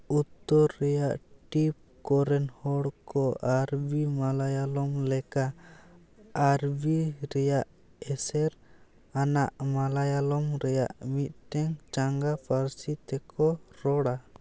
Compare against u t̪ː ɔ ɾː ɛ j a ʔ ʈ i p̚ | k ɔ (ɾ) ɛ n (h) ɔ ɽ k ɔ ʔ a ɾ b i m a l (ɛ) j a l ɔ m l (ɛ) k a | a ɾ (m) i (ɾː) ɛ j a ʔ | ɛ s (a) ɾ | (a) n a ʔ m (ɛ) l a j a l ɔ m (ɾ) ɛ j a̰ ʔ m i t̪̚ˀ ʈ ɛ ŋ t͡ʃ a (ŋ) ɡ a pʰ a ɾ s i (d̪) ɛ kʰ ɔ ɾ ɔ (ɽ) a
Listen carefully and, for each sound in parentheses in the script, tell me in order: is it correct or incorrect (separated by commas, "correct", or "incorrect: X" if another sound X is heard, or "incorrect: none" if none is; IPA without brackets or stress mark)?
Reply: correct, correct, incorrect: a, correct, incorrect: b, incorrect: ɾ, incorrect: ɛ, correct, incorrect: a, correct, correct, incorrect: t̪, correct